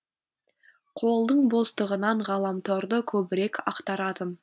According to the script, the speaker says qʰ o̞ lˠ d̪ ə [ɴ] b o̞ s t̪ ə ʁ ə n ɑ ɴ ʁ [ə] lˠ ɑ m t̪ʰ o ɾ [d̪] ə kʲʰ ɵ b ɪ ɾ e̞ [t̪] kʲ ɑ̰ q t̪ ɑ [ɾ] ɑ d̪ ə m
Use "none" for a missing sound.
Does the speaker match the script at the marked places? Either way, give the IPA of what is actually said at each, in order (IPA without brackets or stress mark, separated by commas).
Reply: ɴ, ɑ, d̪, none, ɾ